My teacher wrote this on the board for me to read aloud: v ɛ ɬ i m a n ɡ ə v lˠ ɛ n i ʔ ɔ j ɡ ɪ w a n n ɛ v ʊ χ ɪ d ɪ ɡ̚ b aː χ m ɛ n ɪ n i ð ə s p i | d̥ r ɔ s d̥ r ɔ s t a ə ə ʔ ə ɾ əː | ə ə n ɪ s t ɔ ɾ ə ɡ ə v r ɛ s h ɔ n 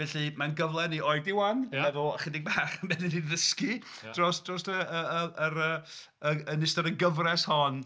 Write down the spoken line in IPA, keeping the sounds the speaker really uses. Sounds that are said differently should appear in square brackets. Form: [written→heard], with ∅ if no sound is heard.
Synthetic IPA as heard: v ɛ ɬ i m a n ɡ ə v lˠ ɛ n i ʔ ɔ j [ɡ→d] ɪ w a n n ɛ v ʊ χ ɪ d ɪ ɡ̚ b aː χ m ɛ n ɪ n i ð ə s [p→k] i | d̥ r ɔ s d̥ r ɔ s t [a→ə] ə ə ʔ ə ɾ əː | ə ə n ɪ s t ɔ ɾ ə ɡ ə v r ɛ s h ɔ n